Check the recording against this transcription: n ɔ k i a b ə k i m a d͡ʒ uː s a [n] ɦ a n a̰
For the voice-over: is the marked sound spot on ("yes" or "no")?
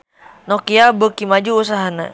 no